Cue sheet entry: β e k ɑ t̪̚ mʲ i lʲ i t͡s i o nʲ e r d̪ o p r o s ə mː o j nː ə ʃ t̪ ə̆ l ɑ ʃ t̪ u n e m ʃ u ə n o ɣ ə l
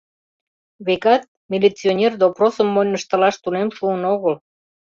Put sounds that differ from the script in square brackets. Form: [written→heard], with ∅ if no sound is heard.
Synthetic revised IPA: β e k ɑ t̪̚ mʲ i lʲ i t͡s i o nʲ e r d̪ o p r o s ə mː o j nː ə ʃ t̪ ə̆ l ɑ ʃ t̪ u n e m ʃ u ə n o ɣ ə l